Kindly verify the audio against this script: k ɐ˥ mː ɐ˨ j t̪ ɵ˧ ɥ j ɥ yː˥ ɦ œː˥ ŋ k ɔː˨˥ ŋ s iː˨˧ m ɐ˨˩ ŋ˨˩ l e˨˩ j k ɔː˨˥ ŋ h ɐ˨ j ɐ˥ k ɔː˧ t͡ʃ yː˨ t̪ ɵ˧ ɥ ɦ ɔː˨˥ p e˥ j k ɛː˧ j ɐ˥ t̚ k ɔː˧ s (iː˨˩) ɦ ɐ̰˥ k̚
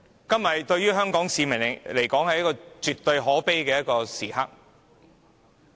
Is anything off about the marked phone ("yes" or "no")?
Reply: no